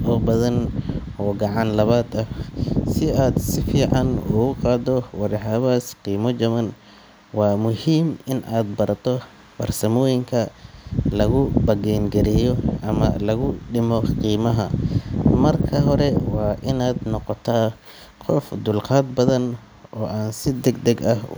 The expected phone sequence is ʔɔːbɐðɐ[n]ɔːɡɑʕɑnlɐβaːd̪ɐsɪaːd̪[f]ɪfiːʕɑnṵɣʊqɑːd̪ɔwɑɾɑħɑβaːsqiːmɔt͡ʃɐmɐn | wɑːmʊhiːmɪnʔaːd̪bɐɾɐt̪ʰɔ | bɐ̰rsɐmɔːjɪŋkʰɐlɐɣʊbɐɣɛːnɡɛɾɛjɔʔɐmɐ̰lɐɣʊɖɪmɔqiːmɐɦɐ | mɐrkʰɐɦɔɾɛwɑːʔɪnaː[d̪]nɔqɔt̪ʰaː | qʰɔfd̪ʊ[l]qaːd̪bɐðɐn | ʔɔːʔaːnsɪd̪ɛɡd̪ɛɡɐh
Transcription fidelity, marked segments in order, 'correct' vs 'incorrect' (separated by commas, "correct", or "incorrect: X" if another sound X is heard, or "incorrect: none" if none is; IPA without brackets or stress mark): correct, incorrect: s, correct, correct